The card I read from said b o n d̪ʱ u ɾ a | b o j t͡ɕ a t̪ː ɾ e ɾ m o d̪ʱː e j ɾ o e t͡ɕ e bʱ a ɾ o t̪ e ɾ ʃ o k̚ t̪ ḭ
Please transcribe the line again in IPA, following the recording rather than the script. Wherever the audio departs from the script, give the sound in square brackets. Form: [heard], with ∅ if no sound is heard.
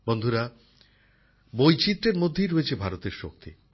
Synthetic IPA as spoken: b o n d̪ʱ u ɾ a | b o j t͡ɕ [i] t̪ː ɾ e ɾ m o d̪ʱː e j ɾ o e [t͡ɕʰ] e bʱ a ɾ o t̪ e ɾ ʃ o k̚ t̪ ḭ

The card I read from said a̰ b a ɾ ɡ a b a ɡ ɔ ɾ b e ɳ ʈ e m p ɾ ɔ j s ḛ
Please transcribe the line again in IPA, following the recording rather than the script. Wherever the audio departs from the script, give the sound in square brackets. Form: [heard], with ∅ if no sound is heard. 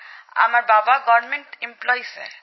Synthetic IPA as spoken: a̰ [m] a ɾ [b] a b a ɡ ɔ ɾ [m] e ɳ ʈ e m p [l] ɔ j s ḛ

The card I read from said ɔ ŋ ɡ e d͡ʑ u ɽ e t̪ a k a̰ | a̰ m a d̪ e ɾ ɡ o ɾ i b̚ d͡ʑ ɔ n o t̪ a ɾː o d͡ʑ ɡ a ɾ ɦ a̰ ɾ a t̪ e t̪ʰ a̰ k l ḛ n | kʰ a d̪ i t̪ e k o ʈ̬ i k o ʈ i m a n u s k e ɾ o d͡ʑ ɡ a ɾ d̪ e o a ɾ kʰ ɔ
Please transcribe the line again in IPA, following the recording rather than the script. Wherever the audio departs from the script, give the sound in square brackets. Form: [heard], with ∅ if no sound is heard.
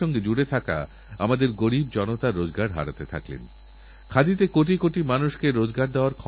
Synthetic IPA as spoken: ɔ ŋ ɡ e d͡ʑ u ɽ e [t̪ʰ] a k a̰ | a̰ m a d̪ e ɾ ɡ o ɾ i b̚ d͡ʑ ɔ n o t̪ a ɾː o d͡ʑ ɡ a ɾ ɦ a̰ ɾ a t̪ e t̪ʰ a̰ k l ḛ n | kʰ a d̪ i t̪ e k o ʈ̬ i k o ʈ i m a n u [ʃ] k e ɾ o d͡ʑ ɡ a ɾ d̪ e o a ɾ kʰ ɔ

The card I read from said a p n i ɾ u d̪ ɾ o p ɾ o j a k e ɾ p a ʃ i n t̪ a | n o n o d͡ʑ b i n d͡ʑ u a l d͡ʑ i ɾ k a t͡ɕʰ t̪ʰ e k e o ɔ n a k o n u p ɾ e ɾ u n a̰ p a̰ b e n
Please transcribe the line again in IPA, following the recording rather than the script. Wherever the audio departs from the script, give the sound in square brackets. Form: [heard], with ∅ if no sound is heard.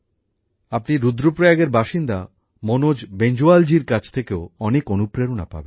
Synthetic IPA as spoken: a p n i ɾ u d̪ ɾ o p ɾ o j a [ɡ] e ɾ [b] a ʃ i n [d̪] a | [m] o n o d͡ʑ b [e] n d͡ʑ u a l d͡ʑ i ɾ k a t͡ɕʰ t̪ʰ e k e o ɔ n [e] k o n u p ɾ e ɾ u n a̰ p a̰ b e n

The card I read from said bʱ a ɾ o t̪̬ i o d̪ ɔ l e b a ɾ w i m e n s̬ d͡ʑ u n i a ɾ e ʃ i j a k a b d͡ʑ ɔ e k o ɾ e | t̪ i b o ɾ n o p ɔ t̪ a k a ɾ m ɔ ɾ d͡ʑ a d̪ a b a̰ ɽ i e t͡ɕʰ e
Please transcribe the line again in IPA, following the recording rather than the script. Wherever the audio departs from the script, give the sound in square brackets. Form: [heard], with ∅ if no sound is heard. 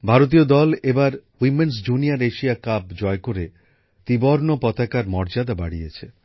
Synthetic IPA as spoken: bʱ a ɾ o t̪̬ i o d̪ ɔ l e b a ɾ w i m e n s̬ d͡ʑ u n i a ɾ e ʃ i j a k a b d͡ʑ ɔ e k o ɾ e | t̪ i b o ɾ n o p ɔ t̪ a k a ɾ m ɔ ɾ d͡ʑ a d̪ a b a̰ ɽ i e t͡ɕʰ e

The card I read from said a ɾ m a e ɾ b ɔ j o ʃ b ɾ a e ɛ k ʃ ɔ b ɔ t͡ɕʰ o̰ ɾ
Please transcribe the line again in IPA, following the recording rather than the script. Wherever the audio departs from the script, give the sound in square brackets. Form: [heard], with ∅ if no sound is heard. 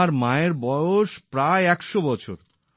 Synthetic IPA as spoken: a ɾ m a e ɾ b ɔ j o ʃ [p] ɾ a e ɛ k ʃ [o] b ɔ t͡ɕʰ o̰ ɾ

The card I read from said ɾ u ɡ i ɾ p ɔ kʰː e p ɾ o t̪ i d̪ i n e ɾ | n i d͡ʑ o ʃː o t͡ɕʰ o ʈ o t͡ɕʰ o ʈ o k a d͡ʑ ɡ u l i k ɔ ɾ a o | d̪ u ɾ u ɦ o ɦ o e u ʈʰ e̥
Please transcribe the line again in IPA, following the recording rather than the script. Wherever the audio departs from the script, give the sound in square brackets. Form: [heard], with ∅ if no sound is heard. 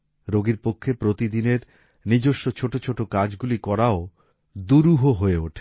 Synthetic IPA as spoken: ɾ [o] ɡ i ɾ p [o] kʰː e p ɾ o t̪ i d̪ i n e ɾ | n i d͡ʑ o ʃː o t͡ɕʰ o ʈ o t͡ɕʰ o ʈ o k a d͡ʑ ɡ u l i k ɔ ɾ a o | d̪ u ɾ u ɦ o ɦ o e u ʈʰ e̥

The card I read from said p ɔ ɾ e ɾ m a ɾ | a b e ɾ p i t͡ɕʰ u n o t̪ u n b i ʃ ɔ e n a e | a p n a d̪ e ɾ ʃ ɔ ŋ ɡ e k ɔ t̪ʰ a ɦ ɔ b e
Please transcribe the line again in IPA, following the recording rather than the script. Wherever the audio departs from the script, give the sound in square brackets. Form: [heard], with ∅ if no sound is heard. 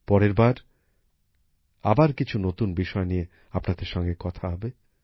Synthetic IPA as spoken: p ɔ ɾ e ɾ [b] a ɾ | a b [a] ɾ [k] i t͡ɕʰ u n o t̪ u n b i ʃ ɔ e n [i] e | a p n a d̪ e ɾ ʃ ɔ ŋ ɡ e k ɔ t̪ʰ a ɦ ɔ b e

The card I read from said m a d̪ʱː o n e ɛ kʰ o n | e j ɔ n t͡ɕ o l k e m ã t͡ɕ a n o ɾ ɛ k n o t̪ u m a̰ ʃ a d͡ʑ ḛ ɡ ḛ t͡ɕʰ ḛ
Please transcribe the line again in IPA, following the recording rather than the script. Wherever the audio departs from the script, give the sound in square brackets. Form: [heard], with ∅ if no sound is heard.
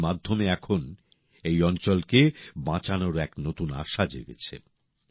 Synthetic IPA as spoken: m a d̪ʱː o [m] e ɛ kʰ o n | e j ɔ n t͡ɕ o l k e [b] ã t͡ɕ a n o ɾ ɛ k n o t̪ u [n] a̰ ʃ a d͡ʑ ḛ ɡ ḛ t͡ɕʰ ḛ

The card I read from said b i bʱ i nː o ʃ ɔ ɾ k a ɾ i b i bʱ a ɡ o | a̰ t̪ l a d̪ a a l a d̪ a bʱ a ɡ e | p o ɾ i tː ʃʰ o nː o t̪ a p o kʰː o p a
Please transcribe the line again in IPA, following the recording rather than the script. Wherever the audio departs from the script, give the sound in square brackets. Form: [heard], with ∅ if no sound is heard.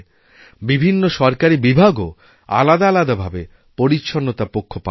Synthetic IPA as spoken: b i bʱ i nː o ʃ ɔ ɾ k a ɾ i b i bʱ a ɡ o | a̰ [∅] l a d̪ a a l a d̪ a bʱ a [b] e | p o ɾ i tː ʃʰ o nː o t̪ a p o kʰː o p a

